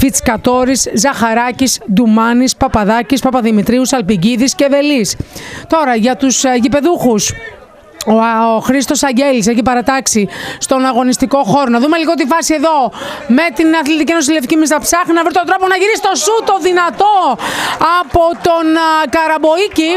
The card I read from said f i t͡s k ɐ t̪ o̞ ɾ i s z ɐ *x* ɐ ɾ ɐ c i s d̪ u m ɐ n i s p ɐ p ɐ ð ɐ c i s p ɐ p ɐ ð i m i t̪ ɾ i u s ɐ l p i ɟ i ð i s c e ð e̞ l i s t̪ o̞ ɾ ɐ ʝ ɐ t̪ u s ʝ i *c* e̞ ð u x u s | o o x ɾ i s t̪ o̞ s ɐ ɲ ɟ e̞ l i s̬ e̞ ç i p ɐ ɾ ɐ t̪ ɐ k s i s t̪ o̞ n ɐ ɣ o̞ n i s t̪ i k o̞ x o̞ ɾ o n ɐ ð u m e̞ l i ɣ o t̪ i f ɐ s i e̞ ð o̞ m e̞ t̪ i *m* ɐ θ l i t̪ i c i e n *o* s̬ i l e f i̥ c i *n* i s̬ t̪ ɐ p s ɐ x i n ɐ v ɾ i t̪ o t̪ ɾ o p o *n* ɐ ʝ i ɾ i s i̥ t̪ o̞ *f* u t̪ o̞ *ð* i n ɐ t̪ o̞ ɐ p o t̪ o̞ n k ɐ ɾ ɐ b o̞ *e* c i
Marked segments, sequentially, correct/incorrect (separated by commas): correct, incorrect, incorrect, correct, incorrect, correct, incorrect, correct, incorrect